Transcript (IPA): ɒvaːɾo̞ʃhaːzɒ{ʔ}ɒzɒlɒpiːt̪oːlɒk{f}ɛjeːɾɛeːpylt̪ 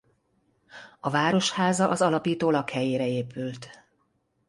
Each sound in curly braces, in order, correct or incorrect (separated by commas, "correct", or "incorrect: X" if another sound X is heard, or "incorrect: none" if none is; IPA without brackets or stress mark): correct, incorrect: h